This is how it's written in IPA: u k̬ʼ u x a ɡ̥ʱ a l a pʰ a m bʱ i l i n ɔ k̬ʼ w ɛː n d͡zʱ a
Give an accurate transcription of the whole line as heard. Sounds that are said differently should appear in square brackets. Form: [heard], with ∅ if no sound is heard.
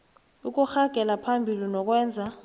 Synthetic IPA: u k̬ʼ u x a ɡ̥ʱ [ɛ] l a pʰ a m bʱ i l i n ɔ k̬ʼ w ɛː n d͡zʱ a